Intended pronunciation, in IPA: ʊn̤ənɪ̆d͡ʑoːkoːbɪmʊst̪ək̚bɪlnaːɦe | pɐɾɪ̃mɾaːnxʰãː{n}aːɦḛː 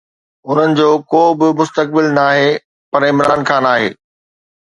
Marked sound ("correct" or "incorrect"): correct